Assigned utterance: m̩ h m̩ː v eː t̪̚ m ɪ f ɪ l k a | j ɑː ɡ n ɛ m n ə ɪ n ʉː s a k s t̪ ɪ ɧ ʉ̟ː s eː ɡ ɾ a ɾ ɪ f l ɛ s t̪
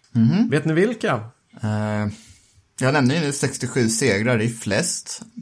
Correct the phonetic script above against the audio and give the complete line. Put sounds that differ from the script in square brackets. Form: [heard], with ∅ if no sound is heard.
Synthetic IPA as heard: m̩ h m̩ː v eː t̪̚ [n] ɪ [v] ɪ l k a | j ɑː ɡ n ɛ m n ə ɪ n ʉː s [ɛ] k s t̪ ɪ ɧ ʉ̟ː s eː ɡ ɾ a ɾ ɪ f l ɛ s t̪